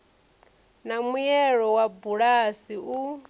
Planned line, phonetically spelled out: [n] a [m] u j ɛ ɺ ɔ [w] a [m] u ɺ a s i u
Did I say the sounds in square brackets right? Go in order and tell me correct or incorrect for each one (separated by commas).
correct, correct, correct, incorrect